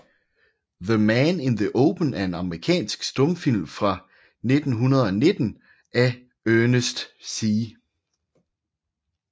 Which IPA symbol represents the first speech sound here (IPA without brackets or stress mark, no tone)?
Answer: ð